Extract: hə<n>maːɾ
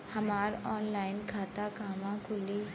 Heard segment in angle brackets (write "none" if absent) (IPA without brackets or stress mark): none